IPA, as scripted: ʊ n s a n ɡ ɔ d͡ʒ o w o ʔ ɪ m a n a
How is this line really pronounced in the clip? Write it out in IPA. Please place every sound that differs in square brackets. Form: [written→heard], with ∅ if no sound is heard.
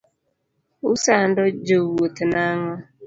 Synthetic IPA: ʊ [n→∅] s a n [ɡ→d] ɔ d͡ʒ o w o [ʔ→t] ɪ [m→n] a [n→ŋ] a